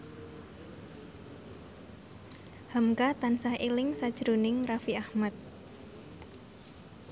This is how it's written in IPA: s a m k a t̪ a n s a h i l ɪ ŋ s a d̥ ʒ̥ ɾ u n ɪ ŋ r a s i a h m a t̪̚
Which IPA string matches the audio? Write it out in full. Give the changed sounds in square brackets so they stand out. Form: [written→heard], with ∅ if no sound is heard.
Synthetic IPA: [s→h] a m k a t̪ a n s a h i l ɪ ŋ s a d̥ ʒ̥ ɾ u n ɪ ŋ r a [s→f] i a h m a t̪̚